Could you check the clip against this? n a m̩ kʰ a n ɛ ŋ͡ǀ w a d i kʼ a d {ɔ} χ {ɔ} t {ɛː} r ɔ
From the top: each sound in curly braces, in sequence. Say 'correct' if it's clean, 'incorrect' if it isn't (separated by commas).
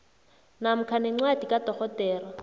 correct, correct, correct